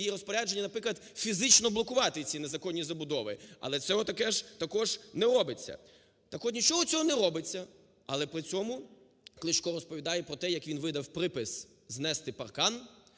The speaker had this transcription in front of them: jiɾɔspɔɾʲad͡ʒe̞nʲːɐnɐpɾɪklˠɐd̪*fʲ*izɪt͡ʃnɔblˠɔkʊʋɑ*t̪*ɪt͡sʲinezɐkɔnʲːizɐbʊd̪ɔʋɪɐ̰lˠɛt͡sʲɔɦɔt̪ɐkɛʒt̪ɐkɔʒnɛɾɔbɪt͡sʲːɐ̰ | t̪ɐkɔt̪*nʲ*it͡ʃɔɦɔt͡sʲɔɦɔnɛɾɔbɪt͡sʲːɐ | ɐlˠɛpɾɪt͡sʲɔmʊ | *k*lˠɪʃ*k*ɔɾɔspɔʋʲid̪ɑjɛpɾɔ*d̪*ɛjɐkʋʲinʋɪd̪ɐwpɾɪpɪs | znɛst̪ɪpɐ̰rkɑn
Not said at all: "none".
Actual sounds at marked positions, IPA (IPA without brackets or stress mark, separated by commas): fʲ, t̪, nʲ, k, k, t̪